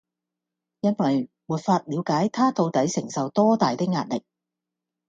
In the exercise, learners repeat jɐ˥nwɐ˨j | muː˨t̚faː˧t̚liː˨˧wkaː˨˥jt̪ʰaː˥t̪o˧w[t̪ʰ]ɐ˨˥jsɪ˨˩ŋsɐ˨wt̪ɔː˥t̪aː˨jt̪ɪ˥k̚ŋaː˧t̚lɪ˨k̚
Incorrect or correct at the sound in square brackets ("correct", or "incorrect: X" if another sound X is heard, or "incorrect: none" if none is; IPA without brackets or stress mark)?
incorrect: t̪